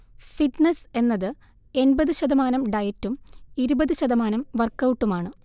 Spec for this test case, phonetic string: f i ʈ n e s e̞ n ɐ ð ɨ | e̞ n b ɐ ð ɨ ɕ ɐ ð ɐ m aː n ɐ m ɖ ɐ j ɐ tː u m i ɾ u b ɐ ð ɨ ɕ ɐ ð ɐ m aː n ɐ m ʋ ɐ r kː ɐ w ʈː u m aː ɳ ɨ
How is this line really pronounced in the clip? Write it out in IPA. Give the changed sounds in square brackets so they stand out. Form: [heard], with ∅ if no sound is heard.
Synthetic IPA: f i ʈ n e s e̞ [nː] ɐ ð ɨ | e̞ n b ɐ ð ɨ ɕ ɐ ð ɐ m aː n ɐ m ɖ ɐ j ɐ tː u m i ɾ u b ɐ ð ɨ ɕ ɐ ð ɐ m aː n ɐ m ʋ ɐ r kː ɐ w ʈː u m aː ɳ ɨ